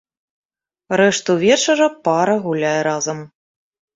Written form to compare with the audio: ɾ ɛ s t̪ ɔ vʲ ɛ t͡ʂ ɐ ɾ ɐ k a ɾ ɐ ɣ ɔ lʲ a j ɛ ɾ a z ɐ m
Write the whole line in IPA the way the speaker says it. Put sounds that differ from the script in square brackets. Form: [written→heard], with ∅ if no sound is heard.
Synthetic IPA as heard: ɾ ɛ [s→ʂ] t̪ [ɔ→u] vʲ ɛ t͡ʂ ɐ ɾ ɐ [k→p] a ɾ ɐ ɣ [ɔ→u] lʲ a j ɛ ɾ a z ɐ m